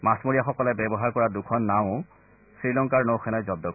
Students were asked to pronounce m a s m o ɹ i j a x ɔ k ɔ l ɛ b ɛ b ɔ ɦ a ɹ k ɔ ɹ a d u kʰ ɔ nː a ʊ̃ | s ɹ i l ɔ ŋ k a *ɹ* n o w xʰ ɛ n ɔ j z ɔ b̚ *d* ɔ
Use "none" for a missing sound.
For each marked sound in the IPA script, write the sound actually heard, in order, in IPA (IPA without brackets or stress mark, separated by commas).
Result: ɹ, d